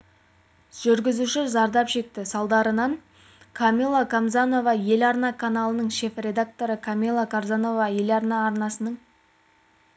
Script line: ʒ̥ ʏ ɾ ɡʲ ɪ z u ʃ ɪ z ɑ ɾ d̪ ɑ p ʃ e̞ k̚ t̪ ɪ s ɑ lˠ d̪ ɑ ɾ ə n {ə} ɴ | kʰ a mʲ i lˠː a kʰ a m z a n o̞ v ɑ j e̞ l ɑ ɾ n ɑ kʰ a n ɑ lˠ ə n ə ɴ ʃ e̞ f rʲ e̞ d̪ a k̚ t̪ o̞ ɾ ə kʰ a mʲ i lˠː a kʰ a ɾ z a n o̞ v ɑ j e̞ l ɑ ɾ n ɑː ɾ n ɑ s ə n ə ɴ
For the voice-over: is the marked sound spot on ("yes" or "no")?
no